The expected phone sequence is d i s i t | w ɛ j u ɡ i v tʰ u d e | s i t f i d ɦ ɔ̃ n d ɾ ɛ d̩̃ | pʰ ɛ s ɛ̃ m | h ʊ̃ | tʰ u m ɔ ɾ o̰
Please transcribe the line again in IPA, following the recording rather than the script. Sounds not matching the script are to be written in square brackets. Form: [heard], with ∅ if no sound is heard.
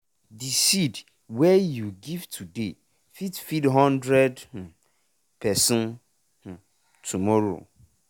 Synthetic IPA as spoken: d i s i [d] | w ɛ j u ɡ i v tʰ u d e | [f] i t f i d ɦ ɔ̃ n d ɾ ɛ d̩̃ | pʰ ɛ s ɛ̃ [n] | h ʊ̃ | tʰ u m ɔ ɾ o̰